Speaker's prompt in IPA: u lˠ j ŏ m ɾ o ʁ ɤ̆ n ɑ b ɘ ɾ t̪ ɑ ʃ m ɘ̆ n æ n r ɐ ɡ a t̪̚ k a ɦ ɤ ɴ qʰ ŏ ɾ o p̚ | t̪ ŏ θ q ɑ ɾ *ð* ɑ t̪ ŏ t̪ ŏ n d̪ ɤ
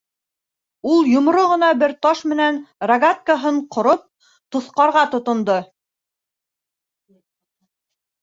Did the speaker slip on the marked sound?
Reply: yes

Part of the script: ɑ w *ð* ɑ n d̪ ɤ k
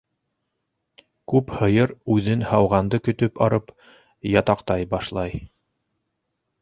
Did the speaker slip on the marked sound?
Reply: yes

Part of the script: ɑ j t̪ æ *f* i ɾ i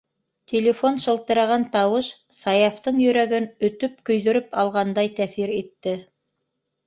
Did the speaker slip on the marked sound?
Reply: yes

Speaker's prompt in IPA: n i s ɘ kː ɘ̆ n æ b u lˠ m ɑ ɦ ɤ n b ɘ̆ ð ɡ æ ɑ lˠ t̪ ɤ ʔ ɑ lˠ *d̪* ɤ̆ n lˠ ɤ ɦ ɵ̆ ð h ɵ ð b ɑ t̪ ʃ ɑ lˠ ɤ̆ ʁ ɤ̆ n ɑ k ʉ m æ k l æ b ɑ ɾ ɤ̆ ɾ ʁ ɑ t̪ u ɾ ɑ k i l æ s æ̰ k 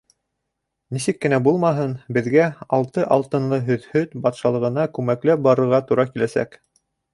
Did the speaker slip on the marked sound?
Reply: yes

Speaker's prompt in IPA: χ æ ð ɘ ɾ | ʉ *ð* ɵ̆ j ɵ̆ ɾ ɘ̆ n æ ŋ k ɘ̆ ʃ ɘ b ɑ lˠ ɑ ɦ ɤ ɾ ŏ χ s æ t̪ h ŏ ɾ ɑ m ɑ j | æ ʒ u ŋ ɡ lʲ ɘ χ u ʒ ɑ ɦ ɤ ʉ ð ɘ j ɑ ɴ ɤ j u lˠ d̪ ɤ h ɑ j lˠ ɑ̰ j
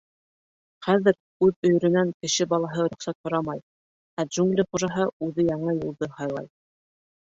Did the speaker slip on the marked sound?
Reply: no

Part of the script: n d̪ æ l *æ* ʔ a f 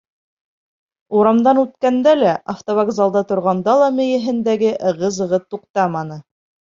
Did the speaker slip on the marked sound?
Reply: no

